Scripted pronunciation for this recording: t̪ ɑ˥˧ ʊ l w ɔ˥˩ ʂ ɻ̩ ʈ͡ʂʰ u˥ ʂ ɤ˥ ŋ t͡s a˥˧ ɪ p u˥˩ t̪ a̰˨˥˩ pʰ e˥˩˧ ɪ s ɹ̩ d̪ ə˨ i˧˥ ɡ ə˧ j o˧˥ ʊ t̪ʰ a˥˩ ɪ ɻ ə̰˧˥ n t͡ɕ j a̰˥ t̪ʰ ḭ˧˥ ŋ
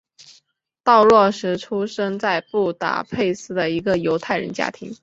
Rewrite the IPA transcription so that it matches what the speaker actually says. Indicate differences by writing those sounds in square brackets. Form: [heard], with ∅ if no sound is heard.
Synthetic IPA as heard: t̪ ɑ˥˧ ʊ l w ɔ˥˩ ʂ ɻ̩ ʈ͡ʂʰ u˥ ʂ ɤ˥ ŋ t͡s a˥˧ ɪ p u˥˩ t̪ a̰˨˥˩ pʰ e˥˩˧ ɪ s ɹ̩ d̪ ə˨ i˧˥ ɡ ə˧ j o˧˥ ʊ t̪ʰ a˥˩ ɪ ɻ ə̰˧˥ n t͡ɕ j a̰˥ t̪ʰ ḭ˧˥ ŋ